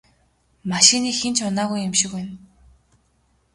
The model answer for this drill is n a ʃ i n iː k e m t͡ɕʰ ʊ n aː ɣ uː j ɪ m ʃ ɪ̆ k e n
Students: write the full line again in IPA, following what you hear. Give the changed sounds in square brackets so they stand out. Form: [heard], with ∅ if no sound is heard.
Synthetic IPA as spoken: [m] a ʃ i n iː [x] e [n] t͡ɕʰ ʊ n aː ɣ [u] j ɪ m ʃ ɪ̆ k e n